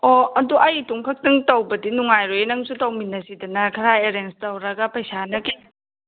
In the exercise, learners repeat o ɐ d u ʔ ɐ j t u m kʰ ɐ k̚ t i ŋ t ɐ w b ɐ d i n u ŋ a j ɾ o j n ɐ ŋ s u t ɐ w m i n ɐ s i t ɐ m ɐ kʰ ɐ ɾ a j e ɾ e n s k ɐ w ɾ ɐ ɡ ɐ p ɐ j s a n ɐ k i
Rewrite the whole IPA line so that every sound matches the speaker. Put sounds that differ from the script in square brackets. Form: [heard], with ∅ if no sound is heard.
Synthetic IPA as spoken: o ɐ d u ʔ ɐ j t u [ŋ] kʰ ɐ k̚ t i ŋ t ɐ w b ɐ d i n u ŋ a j ɾ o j n ɐ ŋ s u t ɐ w m i n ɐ s i [d] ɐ [n] ɐ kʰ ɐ ɾ a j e ɾ e n s [t] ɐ w ɾ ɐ ɡ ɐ p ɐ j s a n ɐ k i